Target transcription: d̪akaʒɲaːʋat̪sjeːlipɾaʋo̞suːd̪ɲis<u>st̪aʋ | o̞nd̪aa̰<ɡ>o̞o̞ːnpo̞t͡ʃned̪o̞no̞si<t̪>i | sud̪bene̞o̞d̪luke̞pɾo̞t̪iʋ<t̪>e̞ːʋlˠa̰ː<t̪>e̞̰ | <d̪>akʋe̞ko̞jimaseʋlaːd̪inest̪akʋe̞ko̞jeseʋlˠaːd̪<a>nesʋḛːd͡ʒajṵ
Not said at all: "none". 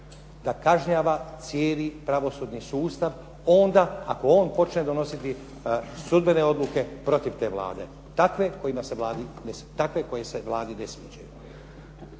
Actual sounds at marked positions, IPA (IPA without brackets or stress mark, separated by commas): uː, k, t̪, t̪, d̪, t̪, i